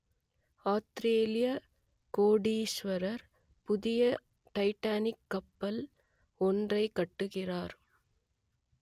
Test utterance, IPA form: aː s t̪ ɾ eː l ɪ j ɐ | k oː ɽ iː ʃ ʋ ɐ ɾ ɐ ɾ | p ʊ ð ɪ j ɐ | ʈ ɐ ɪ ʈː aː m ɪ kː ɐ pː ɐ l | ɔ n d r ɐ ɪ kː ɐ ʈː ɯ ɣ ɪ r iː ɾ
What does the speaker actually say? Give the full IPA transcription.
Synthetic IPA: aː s t̪ ɾ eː l ɪ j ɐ | k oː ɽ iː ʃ ʋ ɐ ɾ ɐ ɾ | p ʊ ð ɪ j ɐ | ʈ ɐ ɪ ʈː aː n ɪ kː ɐ pː ɐ l | ɔ n d r ɐ ɪ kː ɐ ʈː ɯ ɣ ɪ r aː ɾ